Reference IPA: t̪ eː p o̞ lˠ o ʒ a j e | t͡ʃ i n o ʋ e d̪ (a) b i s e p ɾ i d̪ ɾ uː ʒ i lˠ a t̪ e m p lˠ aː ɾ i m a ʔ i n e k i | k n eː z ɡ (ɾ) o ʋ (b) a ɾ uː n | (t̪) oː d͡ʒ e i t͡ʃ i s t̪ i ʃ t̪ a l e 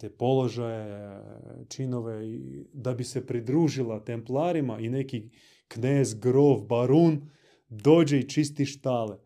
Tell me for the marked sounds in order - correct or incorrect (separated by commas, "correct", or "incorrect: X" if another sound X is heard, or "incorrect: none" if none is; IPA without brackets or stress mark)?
correct, correct, correct, incorrect: d̪